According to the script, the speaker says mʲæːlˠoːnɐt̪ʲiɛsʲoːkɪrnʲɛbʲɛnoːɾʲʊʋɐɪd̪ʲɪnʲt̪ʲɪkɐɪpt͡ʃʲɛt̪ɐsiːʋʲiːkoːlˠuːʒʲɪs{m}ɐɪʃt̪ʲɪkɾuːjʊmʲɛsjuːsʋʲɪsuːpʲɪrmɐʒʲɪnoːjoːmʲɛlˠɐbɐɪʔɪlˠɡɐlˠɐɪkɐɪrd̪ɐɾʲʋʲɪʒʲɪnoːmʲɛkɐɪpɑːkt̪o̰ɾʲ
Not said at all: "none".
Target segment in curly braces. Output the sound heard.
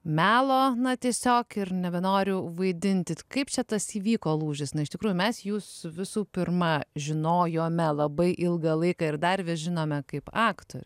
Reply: n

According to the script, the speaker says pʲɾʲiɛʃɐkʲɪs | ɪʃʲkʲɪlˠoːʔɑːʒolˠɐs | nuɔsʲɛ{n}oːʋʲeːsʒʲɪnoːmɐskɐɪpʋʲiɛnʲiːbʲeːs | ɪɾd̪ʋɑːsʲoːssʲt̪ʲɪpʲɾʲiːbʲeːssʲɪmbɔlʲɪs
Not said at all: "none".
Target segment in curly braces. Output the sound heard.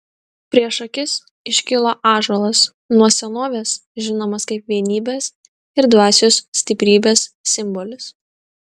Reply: n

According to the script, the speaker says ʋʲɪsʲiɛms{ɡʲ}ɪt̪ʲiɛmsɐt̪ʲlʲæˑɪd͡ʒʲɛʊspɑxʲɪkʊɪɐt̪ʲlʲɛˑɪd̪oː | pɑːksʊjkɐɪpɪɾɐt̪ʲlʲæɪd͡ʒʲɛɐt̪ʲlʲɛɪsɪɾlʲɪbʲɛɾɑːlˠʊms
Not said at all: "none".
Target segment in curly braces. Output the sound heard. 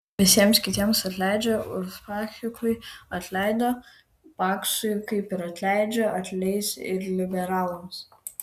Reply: kʲ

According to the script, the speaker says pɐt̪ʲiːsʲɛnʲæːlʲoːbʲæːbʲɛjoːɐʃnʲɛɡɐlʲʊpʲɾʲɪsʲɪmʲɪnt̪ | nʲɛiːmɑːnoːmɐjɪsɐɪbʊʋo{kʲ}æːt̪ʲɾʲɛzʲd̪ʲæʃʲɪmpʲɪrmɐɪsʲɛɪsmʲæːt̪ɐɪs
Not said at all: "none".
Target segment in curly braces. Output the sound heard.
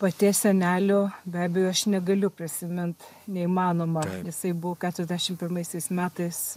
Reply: kʲ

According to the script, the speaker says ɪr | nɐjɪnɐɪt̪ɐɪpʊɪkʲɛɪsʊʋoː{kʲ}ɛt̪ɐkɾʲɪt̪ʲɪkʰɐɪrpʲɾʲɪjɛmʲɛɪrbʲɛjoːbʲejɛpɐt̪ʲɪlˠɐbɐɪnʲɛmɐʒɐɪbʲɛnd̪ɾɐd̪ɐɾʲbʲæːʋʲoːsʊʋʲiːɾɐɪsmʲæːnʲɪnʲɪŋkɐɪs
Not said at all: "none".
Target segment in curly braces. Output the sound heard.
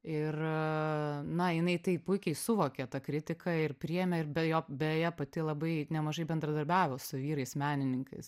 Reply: kʲ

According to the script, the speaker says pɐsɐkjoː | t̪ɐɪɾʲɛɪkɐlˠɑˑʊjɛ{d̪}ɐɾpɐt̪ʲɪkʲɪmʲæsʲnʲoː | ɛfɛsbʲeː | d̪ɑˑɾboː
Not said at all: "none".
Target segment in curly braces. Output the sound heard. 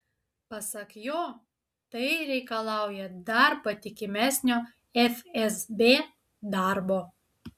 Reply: d̪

